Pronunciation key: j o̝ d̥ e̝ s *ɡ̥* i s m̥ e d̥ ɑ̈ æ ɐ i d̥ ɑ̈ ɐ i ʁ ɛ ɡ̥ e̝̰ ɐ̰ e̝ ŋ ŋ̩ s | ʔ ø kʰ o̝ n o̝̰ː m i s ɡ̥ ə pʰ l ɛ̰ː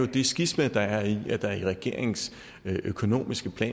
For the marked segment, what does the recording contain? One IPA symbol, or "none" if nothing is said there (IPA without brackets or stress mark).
ɡ̥